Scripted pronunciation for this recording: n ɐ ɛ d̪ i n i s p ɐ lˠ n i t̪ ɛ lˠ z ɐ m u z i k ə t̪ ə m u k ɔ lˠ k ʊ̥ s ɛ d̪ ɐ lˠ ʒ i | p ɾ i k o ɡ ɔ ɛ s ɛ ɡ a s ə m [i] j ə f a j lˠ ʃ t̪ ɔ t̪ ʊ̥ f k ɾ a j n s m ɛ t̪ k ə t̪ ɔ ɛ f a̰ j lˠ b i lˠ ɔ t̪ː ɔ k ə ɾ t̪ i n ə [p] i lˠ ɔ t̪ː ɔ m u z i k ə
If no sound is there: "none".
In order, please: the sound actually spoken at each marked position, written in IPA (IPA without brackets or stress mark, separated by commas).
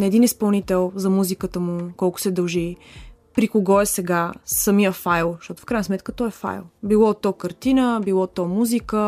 i, b